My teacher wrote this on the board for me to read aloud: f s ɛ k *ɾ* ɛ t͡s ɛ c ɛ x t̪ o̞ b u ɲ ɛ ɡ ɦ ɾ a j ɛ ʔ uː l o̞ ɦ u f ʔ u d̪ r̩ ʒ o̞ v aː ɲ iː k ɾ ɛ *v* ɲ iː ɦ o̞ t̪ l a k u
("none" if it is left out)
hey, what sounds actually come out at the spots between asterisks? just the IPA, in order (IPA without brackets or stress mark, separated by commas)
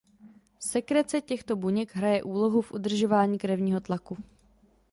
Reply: ɾ, v